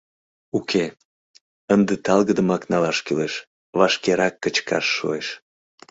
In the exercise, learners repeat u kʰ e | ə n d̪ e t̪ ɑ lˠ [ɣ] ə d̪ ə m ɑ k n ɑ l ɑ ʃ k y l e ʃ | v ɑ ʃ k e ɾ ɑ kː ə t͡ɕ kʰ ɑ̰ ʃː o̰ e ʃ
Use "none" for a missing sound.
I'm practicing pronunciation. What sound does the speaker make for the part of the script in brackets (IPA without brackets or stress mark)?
ɣ